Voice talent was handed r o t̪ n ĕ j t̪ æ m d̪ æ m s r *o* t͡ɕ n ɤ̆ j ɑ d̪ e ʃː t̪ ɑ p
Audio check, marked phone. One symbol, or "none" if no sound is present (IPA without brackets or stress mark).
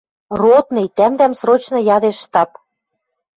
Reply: o